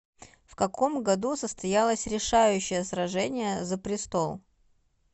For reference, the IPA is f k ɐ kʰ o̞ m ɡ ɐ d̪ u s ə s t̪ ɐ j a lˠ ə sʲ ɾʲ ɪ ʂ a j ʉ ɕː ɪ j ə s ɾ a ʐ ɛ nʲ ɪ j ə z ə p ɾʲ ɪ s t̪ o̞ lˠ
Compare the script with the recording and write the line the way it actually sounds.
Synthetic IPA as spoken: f k ɐ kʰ o̞ m ɡ ɐ d̪ u s ə s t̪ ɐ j a lˠ ə sʲ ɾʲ ɪ ʂ a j ʉ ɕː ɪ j ə s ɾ ɐ ʐ ɛ nʲ ɪ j ə z ə p ɾʲ ɪ s t̪ o̞ lˠ